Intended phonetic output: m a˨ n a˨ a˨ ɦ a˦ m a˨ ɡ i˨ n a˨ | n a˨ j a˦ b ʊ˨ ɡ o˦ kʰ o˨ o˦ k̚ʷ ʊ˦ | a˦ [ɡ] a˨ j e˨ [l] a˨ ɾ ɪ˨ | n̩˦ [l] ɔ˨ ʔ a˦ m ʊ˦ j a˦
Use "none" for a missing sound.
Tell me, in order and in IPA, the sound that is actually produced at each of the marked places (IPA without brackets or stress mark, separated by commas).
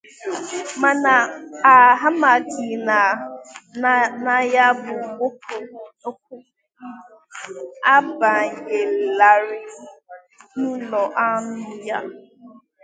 b, l, l